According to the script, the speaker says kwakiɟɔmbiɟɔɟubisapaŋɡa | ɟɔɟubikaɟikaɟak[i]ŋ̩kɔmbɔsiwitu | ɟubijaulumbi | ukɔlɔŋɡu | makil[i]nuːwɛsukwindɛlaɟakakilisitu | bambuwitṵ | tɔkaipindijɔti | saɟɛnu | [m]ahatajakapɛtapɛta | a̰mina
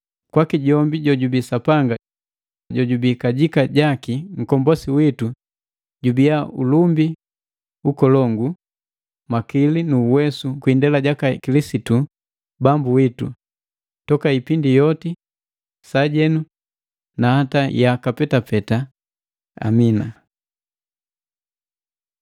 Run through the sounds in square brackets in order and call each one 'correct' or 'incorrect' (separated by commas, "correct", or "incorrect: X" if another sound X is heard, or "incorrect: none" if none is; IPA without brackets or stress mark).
correct, correct, incorrect: n